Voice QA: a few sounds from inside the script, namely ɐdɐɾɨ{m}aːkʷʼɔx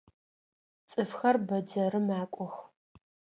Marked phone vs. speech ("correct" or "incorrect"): correct